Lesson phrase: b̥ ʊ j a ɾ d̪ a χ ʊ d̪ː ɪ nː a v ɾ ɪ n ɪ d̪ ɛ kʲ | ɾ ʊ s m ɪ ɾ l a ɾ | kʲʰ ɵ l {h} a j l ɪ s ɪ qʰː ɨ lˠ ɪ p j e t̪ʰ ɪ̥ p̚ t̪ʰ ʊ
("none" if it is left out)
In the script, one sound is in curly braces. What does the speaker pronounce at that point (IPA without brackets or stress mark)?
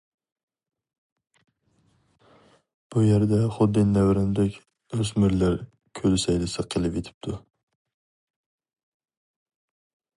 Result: s